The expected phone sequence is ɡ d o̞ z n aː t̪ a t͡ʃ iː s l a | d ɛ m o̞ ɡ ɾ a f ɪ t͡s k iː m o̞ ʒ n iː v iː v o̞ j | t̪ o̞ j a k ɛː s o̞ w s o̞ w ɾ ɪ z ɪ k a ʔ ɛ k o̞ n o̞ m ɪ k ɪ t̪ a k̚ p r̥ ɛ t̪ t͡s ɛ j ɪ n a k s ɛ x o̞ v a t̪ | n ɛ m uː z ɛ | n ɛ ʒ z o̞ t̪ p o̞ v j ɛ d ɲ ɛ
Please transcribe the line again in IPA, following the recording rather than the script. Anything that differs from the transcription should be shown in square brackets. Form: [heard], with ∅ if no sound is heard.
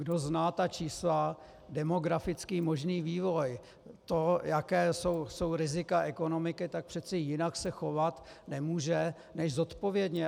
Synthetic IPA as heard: ɡ d o̞ z n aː t̪ a t͡ʃ iː s l a | d ɛ m o̞ ɡ ɾ a f ɪ t͡s k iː m o̞ ʒ n iː v iː v o̞ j | t̪ o̞ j a k ɛː s o̞ w s o̞ w ɾ ɪ z ɪ k a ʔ ɛ k o̞ n o̞ m ɪ k ɪ t̪ a k̚ p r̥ ɛ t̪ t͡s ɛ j ɪ n a k s ɛ x o̞ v a t̪ | n ɛ m uː [ʒ] ɛ | n ɛ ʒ z o̞ t̪ p o̞ v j ɛ d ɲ ɛ